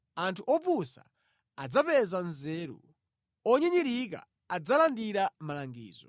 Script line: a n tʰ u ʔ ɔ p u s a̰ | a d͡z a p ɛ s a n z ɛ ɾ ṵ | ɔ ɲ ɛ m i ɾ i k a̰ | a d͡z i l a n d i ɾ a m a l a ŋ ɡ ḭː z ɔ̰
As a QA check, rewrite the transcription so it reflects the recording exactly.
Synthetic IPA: a n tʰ u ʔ ɔ p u s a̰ | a d͡z a p ɛ z a n z ɛ ɾ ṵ | ɔ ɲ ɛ ɲ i ɾ i k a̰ | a d͡z a l a n d i ɾ a m a l a ŋ ɡ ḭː z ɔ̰